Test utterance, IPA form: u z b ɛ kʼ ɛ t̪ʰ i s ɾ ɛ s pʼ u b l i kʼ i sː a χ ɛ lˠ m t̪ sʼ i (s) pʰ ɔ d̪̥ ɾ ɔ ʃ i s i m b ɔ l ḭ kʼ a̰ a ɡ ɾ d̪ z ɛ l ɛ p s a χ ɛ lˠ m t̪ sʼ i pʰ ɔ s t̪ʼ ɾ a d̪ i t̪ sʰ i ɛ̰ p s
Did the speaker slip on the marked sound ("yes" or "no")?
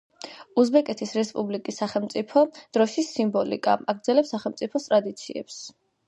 yes